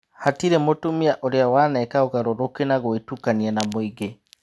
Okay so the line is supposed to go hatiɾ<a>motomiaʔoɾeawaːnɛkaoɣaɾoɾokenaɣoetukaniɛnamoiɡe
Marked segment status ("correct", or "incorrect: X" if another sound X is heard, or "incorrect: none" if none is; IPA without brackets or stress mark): incorrect: e